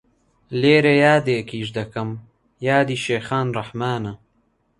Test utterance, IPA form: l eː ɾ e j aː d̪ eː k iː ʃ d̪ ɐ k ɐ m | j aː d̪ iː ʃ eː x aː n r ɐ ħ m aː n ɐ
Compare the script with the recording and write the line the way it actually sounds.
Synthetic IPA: l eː ɾ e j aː d̪ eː k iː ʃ d̪ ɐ k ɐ m | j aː d̪ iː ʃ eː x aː n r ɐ ħ m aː n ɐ

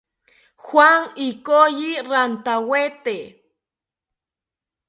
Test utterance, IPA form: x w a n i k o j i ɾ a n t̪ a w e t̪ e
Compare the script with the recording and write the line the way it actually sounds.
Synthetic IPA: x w a ŋ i k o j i ɾ a n t̪ a w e t̪ e

